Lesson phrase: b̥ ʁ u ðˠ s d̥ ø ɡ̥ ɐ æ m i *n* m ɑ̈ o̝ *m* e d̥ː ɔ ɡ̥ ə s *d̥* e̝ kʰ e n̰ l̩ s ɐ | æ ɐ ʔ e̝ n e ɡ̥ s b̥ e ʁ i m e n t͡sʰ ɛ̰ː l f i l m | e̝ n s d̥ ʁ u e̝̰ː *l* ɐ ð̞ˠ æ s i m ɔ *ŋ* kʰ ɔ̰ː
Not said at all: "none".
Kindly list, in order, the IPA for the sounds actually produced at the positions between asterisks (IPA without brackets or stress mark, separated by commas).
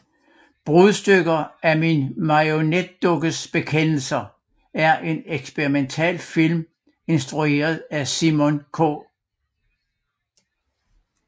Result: n, n, b̥, none, n